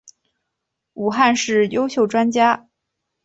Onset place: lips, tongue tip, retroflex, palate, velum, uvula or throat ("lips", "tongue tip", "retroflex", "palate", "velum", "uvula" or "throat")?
velum